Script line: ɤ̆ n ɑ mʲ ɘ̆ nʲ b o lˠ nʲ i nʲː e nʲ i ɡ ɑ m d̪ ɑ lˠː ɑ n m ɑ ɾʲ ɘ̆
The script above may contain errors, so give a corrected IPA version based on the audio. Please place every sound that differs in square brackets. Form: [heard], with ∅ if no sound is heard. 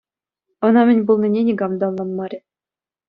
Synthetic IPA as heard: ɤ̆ n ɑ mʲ ɘ̆ nʲ b [u] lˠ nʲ i [nʲ] e nʲ i ɡ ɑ m d̪ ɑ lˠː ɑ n m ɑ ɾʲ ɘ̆